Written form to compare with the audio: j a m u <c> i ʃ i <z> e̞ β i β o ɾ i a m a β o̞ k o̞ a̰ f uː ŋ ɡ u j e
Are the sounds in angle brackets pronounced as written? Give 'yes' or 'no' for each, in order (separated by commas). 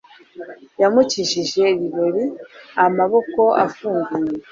yes, no